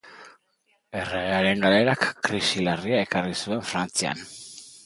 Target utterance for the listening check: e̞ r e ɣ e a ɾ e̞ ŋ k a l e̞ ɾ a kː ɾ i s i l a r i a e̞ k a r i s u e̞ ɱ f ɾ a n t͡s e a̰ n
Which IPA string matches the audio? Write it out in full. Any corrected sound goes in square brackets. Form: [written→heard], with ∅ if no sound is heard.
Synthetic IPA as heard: e̞ r e ɣ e a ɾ e̞ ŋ [k→ɡ] a l e̞ ɾ a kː ɾ i s i l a r i a e̞ k a r i s u e̞ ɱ f ɾ a n t͡s [e→i] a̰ n